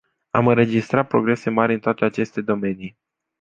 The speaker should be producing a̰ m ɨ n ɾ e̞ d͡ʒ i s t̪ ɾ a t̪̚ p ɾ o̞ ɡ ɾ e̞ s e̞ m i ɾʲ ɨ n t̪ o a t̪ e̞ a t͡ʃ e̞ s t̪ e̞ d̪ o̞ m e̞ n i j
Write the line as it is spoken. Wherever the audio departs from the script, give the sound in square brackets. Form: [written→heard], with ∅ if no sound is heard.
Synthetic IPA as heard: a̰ m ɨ n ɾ e̞ d͡ʒ i s t̪ ɾ a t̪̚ p ɾ o̞ ɡ ɾ e̞ s e̞ m [i→a] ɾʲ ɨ n t̪ o a t̪ e̞ a t͡ʃ e̞ s t̪ e̞ d̪ o̞ m e̞ n i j